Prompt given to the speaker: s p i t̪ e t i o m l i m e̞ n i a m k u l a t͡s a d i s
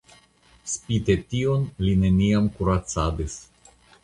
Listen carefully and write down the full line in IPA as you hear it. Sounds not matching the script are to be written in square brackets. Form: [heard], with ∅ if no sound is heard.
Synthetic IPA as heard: s p i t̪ e t i o [n] l i [n] e̞ n i a m k u [ɾ] a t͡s a d i s